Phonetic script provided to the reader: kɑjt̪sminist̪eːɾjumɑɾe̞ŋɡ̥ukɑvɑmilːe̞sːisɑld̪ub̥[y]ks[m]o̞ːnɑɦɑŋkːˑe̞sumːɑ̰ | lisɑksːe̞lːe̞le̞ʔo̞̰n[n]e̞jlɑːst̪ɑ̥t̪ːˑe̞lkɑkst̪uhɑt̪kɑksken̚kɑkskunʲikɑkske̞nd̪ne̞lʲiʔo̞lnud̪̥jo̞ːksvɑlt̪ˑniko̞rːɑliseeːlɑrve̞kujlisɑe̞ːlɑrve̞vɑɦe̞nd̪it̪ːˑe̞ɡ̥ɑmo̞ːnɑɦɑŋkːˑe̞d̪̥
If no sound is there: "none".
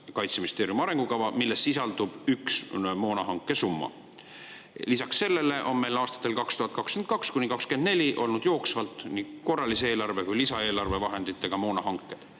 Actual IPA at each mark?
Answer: y, m, m

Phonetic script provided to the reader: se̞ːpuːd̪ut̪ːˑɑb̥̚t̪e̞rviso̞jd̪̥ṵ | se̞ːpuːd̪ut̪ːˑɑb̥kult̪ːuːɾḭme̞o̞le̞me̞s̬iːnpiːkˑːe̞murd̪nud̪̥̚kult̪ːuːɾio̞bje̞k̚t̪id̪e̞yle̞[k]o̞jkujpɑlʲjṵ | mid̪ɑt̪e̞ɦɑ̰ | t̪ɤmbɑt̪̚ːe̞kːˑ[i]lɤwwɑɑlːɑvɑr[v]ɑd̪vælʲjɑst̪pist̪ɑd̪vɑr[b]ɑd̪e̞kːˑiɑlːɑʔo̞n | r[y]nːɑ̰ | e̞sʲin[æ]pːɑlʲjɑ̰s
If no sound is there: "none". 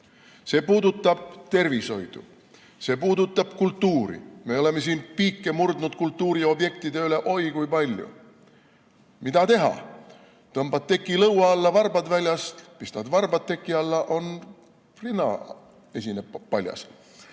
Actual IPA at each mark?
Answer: ʔ, i, b, b, i, e

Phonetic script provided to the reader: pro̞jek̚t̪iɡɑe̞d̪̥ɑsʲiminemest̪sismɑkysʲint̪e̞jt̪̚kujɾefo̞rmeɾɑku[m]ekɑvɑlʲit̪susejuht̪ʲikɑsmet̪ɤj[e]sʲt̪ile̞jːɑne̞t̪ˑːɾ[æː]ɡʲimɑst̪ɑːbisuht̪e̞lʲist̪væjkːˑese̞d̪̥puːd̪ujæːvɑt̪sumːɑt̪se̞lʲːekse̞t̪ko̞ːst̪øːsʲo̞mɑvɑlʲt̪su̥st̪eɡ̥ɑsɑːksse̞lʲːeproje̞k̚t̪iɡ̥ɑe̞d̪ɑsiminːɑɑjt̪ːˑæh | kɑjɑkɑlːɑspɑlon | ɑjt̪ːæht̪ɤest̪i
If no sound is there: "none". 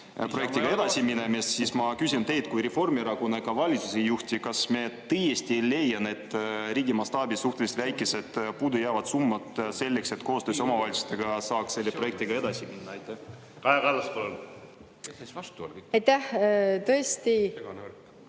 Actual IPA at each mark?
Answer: n, e, iː

